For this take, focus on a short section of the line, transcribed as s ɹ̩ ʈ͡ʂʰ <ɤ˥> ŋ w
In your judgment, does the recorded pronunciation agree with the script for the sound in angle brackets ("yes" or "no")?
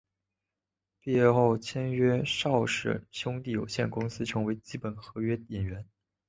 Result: no